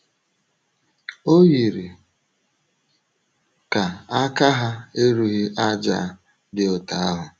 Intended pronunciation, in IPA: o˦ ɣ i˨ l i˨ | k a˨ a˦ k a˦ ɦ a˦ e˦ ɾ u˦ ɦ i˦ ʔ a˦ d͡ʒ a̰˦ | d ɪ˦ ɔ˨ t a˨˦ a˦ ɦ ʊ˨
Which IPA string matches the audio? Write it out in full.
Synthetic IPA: o˦ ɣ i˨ ɾ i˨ | k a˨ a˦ k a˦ ɦ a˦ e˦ ɾ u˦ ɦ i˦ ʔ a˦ d͡ʒ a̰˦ | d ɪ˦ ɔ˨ t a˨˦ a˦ ɦ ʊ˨